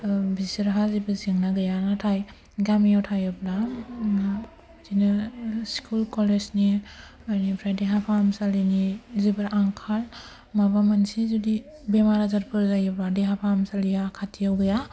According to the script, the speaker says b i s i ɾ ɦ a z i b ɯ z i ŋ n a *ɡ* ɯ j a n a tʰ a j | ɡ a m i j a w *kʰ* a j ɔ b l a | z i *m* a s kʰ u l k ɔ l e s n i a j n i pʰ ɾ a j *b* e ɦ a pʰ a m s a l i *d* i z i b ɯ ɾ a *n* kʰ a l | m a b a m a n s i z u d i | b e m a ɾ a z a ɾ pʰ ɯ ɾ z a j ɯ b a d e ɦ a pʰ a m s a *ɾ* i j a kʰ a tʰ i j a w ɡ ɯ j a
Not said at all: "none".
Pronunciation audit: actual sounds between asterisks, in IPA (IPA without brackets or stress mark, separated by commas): ɡ, tʰ, n, d, n, ŋ, l